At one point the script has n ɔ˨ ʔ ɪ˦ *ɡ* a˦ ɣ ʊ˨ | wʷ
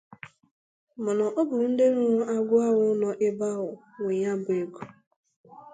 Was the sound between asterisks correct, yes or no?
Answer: no